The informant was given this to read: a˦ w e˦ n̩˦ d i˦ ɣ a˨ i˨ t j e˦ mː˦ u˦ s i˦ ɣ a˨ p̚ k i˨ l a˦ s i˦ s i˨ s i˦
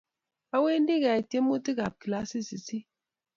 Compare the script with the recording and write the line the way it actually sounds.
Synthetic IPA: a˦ w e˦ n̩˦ d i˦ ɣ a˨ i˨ t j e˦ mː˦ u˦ t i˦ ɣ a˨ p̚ k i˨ l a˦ s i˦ s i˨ s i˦